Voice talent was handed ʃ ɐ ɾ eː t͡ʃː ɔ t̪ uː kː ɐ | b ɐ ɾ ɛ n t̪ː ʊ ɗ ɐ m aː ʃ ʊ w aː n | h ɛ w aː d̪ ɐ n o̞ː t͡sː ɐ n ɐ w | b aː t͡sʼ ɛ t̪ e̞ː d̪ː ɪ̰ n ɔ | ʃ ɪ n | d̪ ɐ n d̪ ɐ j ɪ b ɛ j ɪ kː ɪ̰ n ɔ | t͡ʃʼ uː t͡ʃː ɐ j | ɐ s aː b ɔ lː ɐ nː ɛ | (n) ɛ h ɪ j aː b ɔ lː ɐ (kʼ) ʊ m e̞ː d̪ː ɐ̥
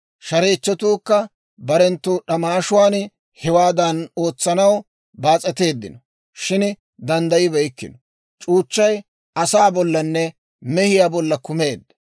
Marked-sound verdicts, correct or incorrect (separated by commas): incorrect, incorrect